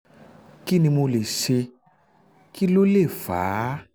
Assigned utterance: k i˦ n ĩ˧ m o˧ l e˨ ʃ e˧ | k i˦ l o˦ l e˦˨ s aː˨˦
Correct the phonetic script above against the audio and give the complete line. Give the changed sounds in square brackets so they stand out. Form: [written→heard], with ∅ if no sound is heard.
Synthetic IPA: k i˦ n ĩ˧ m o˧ l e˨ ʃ e˧ | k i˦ l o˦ l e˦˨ [s→f] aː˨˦